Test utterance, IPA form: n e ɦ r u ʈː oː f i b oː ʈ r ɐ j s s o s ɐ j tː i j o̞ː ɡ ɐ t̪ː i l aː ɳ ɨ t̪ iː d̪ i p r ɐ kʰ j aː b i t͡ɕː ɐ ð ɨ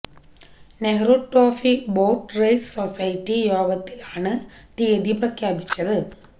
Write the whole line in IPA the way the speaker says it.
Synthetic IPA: n e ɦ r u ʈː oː f i b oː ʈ r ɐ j s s o s ɐ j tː i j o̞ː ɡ ɐ t̪ː i l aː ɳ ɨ t̪ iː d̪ i p r ɐ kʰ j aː b i t͡ɕː ɐ ð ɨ